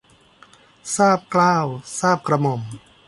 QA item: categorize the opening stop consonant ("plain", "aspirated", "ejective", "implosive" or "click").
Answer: plain